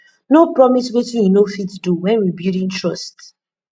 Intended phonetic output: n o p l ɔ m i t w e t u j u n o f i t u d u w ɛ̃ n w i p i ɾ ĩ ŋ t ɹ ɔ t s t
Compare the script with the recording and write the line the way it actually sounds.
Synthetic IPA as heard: n o p ɹ ɔ m i s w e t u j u n o f i t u d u w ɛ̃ n w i b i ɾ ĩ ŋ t ɹ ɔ s t